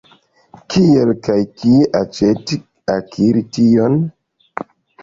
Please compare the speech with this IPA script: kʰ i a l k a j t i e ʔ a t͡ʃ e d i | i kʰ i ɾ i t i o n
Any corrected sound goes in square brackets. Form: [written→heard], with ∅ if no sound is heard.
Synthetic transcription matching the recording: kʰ i [a→e] l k a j [t→k] i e ʔ a t͡ʃ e [d→t] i | [i→a] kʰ i ɾ i t i o n